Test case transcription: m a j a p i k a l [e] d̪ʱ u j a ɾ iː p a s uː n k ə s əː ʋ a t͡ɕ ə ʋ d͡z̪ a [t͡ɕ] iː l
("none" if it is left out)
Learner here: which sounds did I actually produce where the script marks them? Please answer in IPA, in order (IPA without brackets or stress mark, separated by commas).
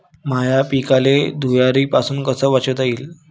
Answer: e, none